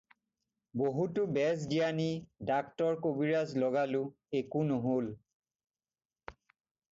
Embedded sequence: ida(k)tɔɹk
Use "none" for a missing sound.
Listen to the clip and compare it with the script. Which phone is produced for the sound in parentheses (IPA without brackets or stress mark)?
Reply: k